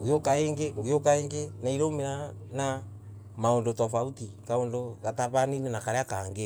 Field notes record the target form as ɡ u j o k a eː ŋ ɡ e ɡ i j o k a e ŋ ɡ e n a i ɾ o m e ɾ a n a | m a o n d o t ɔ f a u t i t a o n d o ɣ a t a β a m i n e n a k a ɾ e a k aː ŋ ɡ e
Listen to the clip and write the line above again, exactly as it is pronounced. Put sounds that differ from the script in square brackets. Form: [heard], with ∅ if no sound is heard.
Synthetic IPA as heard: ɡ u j o k a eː ŋ ɡ e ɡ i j o k a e ŋ ɡ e n a i ɾ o m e ɾ a n a | m a o n d o t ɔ f a u t i [k] a o n d o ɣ a t a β a [n] i n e n a k a ɾ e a k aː ŋ ɡ e